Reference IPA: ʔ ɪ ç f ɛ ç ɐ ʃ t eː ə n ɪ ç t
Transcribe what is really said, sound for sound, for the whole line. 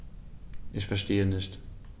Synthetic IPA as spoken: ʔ ɪ ç f ɛ ɐ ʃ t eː ə n ɪ ç t